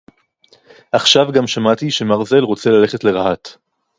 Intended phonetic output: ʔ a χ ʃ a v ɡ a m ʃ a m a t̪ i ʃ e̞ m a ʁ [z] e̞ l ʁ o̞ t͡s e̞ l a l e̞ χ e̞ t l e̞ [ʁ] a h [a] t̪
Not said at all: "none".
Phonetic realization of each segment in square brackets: z, ʁ, a

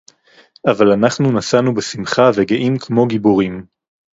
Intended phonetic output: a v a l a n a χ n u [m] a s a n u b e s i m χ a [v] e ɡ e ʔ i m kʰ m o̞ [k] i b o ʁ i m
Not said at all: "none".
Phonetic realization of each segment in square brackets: n, v, ɡ

